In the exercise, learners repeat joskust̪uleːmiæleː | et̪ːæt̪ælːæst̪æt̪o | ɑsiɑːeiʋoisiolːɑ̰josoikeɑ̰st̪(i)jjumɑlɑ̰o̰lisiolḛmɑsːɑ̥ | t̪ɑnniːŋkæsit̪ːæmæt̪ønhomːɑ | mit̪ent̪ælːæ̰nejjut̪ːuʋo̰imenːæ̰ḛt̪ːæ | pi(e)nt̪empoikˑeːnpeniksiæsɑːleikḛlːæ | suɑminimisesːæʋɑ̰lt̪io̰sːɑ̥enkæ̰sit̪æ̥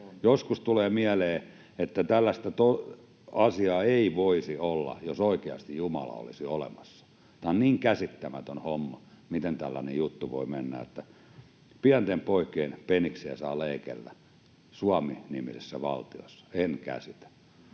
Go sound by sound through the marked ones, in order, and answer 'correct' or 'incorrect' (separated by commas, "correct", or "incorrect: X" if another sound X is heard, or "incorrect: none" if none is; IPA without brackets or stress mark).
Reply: correct, incorrect: æ